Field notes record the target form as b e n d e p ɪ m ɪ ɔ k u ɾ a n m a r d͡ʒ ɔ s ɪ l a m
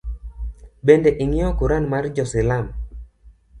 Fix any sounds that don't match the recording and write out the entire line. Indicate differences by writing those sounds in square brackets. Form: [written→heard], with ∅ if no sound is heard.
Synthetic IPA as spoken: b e n d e [p→ʔ] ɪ [m→ŋ] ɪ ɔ k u ɾ a n m a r d͡ʒ ɔ s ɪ l a m